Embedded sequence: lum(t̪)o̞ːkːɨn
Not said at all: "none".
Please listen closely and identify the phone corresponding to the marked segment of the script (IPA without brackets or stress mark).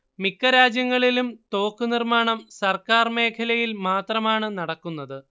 t̪